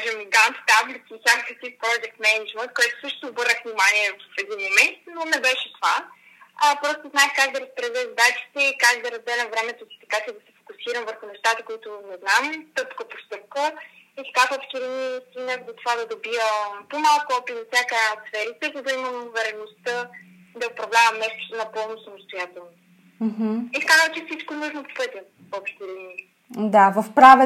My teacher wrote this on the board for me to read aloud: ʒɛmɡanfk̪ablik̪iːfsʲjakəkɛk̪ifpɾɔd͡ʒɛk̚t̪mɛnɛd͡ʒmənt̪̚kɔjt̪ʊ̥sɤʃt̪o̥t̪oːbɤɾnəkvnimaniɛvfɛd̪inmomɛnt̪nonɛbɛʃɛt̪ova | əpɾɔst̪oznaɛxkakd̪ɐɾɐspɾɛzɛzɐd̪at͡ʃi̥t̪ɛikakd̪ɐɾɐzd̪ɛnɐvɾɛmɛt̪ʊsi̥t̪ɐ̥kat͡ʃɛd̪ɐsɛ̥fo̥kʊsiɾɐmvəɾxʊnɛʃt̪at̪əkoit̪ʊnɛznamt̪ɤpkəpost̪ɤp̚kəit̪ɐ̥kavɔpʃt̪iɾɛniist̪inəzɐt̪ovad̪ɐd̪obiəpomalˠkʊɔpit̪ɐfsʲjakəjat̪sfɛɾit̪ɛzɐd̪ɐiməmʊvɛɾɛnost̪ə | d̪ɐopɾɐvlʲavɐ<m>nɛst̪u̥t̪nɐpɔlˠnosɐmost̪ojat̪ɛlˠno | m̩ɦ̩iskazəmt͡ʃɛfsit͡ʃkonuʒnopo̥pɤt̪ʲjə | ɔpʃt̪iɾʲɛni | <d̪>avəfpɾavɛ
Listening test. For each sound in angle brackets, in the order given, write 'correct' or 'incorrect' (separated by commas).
correct, correct